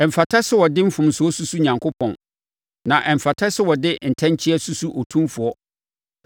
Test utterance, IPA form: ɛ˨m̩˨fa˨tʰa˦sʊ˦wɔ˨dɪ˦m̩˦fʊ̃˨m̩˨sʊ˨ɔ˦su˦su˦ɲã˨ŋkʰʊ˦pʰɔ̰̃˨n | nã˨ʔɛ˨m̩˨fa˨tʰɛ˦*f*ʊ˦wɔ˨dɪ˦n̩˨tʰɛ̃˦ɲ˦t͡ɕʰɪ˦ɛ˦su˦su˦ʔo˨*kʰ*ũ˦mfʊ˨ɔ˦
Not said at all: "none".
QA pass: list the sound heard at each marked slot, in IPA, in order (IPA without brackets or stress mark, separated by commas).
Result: s, tʰ